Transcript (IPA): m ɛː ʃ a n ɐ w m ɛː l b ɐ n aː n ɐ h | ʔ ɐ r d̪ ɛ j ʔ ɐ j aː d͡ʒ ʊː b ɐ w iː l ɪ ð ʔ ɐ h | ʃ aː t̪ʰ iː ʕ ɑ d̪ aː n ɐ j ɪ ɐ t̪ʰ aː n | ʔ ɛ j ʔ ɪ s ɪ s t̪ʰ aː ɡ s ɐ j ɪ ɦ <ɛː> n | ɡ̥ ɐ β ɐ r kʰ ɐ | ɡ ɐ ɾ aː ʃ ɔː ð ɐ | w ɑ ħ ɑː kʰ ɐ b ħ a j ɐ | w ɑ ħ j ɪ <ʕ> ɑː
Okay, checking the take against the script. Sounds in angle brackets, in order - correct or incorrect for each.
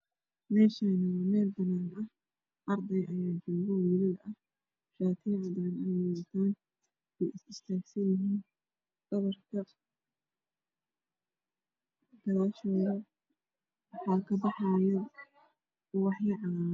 incorrect: iː, correct

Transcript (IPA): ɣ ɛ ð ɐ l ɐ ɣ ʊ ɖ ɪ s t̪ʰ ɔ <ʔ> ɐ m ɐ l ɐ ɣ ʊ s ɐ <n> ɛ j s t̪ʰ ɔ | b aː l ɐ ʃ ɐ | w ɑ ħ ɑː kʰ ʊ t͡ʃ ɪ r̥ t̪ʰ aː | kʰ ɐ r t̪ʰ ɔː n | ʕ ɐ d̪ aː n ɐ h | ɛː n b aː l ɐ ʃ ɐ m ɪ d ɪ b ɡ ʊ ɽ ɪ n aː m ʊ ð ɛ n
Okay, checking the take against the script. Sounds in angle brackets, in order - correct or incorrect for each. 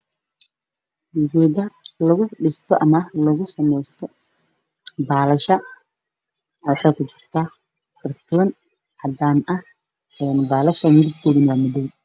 correct, incorrect: m

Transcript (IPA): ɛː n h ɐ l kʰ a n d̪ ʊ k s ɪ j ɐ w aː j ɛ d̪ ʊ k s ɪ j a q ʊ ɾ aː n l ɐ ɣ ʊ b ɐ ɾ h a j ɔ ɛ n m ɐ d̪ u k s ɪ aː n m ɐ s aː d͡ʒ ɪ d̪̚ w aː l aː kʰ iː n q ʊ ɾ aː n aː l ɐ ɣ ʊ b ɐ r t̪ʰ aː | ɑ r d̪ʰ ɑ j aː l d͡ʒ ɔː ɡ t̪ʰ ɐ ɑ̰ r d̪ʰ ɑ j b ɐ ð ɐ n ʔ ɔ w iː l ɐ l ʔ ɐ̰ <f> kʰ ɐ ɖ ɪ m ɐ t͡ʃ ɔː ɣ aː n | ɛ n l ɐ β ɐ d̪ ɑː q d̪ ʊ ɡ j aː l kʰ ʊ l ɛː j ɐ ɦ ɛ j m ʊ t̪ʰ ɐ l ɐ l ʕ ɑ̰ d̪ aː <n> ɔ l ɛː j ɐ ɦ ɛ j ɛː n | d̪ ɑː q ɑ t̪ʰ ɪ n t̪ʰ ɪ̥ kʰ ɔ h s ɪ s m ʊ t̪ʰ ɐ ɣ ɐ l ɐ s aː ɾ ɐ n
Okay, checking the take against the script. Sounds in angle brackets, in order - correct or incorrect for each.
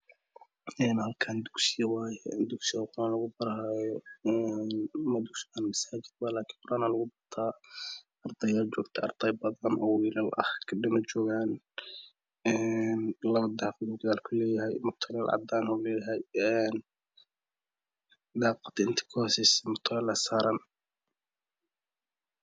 incorrect: h, correct

